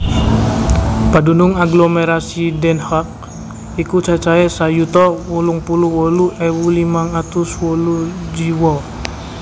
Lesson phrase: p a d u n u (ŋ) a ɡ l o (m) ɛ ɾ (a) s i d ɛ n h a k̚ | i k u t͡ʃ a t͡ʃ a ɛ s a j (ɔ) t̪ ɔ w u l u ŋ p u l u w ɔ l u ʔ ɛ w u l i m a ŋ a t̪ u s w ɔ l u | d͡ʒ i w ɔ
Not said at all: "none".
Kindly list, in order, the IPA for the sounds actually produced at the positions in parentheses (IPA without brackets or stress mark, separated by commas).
ŋ, m, a, u